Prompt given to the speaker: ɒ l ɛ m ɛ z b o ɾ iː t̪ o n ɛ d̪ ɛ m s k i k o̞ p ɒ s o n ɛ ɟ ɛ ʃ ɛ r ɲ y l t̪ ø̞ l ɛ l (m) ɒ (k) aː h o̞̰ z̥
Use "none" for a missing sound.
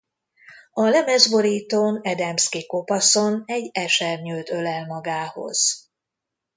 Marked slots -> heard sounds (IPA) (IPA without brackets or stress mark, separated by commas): m, ɡ